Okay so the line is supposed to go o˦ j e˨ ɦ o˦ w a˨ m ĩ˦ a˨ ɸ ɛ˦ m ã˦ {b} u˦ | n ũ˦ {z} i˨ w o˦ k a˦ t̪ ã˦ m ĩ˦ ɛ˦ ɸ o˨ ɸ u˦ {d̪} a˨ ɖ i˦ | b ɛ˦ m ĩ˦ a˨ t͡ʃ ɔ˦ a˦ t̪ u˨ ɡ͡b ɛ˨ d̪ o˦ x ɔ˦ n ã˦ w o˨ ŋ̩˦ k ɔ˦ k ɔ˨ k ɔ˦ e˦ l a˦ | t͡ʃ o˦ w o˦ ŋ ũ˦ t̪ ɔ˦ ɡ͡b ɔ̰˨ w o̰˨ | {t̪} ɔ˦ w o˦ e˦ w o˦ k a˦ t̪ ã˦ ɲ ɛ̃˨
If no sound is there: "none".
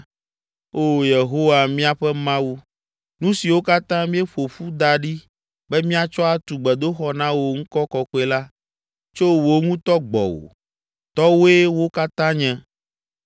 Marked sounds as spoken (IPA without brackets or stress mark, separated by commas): w, s, d̪, t̪